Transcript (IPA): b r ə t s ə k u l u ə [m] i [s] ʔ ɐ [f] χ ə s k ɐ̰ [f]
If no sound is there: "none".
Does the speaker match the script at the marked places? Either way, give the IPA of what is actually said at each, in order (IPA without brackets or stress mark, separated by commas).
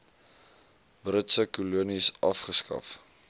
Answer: n, s, f, f